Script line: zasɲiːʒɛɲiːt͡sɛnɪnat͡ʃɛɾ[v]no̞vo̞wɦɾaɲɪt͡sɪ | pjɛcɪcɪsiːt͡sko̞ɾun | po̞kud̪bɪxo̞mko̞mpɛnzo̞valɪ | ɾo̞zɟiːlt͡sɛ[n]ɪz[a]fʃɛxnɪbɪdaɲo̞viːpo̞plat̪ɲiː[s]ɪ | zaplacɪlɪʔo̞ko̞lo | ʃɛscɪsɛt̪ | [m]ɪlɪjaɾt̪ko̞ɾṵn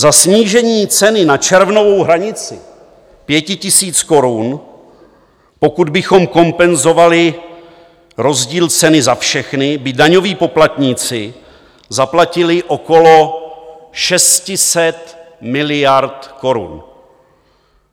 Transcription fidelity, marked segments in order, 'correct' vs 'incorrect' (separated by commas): correct, correct, correct, incorrect, correct